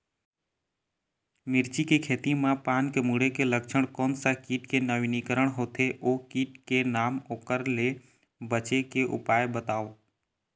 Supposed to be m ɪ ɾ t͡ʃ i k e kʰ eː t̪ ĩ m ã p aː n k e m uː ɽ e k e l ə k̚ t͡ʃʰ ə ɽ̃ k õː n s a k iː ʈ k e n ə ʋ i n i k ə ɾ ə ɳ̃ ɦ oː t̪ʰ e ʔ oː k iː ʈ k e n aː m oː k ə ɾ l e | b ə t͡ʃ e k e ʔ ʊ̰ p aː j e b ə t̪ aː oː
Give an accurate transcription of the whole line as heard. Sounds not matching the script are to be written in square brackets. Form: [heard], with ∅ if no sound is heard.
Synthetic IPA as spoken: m ɪ ɾ t͡ʃ i k e kʰ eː t̪ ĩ m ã p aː n k e m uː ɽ e k e l ə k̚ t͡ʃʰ ə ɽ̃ k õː n s a k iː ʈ k e n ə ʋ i n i k ə ɾ ə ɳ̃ ɦ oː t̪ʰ e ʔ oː k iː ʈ k e n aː m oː k ə ɾ l e | b ə t͡ʃ e k e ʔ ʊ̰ p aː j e b ə t̪ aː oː